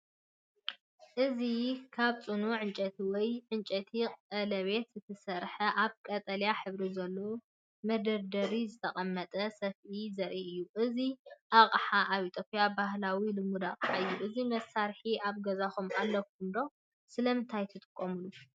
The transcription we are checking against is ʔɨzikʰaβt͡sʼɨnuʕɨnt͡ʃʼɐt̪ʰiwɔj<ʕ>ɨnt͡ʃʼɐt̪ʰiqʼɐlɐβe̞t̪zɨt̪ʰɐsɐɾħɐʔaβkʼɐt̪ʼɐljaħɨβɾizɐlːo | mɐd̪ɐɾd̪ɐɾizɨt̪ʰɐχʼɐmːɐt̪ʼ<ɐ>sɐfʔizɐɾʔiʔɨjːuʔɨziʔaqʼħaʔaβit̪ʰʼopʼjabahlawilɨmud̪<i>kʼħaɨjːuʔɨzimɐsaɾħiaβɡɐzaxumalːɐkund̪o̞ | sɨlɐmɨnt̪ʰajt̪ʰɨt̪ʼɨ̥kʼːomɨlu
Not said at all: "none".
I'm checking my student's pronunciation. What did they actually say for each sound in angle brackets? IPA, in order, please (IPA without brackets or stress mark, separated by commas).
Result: ʕ, ɐ, a